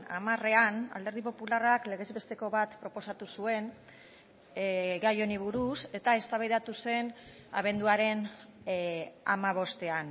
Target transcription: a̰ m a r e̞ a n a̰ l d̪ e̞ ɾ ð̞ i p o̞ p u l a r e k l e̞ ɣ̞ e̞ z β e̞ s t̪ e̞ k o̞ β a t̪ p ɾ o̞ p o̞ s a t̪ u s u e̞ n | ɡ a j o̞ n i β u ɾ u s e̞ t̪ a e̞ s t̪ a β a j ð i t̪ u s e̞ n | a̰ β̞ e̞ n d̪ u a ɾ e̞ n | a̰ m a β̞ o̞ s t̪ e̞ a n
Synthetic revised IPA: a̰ m a r e̞ a n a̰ l d̪ e̞ ɾ ð̞ i p o̞ p u l a r a k l e̞ ɣ̞ e̞ z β e̞ s t̪ e̞ k o̞ β a t̪ p ɾ o̞ p o̞ s a t̪ u s u e̞ n | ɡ a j o̞ n i β u ɾ u s e̞ t̪ a e̞ s t̪ a β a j ð a t̪ u s e̞ n | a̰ β̞ e̞ n d̪ u a ɾ e̞ n | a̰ m a β̞ o̞ s t̪ e̞ a n